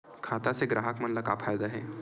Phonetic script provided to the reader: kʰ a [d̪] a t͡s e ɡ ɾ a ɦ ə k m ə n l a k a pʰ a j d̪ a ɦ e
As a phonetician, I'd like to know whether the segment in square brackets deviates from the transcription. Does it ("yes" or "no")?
yes